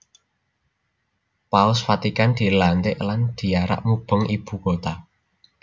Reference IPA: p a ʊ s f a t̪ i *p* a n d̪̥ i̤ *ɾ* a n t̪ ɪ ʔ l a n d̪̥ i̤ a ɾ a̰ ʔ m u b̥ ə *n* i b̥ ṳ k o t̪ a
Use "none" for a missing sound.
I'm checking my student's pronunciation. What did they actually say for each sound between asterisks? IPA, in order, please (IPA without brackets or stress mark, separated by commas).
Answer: k, l, ŋ